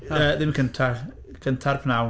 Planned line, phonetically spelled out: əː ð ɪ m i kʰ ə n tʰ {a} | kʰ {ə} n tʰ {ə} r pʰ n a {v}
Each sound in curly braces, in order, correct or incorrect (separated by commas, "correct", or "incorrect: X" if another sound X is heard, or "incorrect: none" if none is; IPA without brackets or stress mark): correct, correct, incorrect: a, incorrect: w